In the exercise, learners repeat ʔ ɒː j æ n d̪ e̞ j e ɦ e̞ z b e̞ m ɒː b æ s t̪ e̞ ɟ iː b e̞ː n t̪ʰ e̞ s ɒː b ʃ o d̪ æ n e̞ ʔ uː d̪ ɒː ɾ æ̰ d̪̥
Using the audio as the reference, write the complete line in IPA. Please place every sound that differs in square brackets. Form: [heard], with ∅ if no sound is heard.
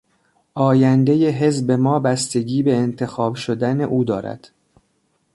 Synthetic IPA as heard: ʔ ɒː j æ n d̪ e̞ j e ɦ e̞ z b e̞ m ɒː b æ s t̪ e̞ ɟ iː b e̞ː n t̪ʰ e̞ [x] ɒː b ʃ o d̪ æ n e̞ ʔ uː d̪ ɒː ɾ æ̰ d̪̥